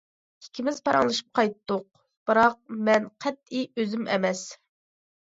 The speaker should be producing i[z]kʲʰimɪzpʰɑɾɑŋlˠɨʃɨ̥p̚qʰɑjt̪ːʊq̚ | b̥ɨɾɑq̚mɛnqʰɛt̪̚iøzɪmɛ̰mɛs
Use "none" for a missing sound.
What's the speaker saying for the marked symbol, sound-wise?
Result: none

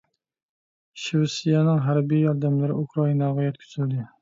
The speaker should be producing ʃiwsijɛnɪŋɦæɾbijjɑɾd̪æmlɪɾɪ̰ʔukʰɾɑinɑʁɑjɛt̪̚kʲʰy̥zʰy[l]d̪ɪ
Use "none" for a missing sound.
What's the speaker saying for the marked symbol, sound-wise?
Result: l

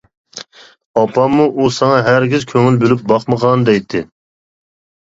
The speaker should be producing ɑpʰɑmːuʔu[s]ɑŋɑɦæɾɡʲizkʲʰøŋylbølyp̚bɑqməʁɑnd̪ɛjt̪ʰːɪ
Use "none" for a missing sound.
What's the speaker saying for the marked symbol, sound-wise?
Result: s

